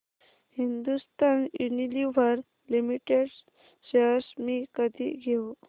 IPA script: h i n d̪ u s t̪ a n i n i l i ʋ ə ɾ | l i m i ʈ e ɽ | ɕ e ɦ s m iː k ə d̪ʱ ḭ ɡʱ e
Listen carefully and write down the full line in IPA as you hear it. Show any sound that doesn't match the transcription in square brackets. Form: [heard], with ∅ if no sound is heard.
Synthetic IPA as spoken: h i n d̪ u s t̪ a n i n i l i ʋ ə ɾ | l i m i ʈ e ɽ | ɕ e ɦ s m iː k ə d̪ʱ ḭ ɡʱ e